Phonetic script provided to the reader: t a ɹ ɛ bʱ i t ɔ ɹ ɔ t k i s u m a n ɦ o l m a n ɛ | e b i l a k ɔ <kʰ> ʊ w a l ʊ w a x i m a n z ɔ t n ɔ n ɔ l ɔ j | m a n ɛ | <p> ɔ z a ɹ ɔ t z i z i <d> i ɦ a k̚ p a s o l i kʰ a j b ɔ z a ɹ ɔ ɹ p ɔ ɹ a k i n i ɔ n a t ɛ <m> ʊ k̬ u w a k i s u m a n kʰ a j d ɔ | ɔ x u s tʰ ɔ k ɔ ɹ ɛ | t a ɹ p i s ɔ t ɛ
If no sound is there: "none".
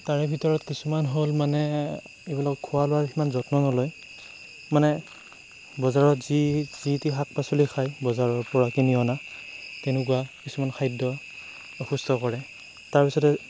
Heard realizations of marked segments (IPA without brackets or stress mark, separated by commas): kʰ, b, t, n